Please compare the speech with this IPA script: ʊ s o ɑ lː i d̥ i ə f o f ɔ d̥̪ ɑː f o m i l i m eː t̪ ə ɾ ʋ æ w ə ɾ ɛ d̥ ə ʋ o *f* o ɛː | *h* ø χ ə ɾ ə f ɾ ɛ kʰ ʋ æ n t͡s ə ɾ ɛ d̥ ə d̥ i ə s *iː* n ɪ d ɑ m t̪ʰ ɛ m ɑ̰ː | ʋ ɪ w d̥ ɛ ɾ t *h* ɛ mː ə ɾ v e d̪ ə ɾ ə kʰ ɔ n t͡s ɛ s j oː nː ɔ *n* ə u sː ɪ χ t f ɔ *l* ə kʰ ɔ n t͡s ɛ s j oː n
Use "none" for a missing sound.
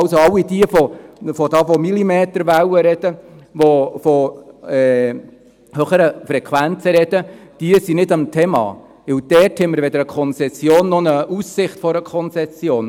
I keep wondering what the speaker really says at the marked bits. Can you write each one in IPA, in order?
f, h, i, h, n, ɾ

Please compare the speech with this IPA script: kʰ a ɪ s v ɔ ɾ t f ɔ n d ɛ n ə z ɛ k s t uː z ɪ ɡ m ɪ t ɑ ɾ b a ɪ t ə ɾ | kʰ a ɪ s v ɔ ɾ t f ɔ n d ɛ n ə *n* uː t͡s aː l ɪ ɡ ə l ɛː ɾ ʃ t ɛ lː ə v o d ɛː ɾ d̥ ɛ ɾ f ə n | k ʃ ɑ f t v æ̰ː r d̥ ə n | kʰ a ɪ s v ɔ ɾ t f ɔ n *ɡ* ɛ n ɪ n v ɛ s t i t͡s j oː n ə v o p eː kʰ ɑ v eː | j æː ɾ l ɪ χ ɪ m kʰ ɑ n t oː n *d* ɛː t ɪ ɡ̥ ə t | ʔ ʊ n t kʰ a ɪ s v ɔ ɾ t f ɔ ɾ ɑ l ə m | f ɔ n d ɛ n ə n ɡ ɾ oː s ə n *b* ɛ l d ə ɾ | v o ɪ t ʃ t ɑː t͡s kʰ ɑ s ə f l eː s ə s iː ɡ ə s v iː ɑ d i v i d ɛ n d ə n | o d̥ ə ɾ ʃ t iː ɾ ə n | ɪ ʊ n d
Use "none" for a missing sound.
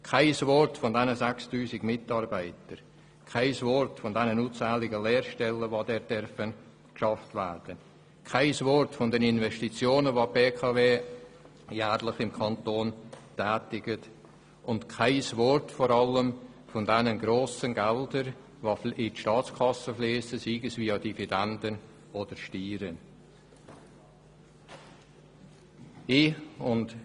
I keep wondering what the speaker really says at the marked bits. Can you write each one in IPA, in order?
n, d, t, ɡ

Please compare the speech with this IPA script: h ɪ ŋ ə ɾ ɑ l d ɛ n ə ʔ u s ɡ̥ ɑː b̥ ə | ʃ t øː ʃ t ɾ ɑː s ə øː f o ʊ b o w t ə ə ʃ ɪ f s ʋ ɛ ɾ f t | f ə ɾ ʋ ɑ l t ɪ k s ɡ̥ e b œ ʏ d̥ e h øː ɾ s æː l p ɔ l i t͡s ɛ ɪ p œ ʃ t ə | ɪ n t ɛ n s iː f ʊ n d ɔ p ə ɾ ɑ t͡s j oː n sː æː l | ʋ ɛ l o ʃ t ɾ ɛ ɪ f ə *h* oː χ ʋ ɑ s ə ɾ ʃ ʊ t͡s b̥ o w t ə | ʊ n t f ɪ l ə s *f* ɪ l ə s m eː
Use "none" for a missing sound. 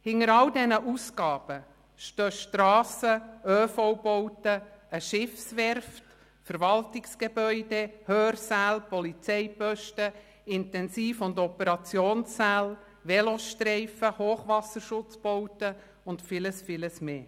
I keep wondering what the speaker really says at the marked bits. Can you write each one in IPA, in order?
h, f

